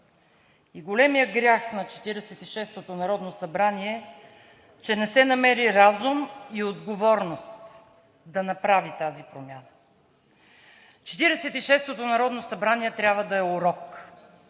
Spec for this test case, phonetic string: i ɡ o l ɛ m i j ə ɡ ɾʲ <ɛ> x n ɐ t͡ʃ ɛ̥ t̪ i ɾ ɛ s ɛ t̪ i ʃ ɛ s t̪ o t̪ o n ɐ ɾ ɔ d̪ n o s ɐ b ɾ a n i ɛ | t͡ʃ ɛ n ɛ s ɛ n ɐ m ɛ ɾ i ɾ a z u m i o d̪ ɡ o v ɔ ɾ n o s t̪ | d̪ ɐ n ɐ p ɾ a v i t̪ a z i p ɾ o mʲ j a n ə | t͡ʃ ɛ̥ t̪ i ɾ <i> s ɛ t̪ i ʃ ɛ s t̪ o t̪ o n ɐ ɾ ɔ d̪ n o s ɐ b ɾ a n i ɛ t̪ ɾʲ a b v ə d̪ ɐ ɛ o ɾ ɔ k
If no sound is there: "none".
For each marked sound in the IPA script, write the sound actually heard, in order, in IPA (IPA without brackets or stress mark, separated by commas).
a, ɛ